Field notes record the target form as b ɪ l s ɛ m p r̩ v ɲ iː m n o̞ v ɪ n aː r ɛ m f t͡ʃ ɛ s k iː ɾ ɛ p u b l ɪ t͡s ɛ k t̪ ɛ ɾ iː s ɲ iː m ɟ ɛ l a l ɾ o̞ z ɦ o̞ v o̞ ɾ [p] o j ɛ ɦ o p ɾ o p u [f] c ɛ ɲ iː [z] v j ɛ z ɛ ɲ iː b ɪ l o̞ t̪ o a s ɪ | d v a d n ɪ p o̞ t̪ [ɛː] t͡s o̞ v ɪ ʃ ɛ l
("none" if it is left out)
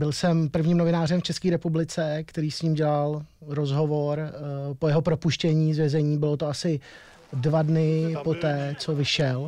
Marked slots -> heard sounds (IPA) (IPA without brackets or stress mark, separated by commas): p, ʃ, z, ɛː